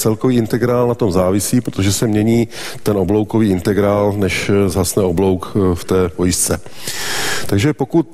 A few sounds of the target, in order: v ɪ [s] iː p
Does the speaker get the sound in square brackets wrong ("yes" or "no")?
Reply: no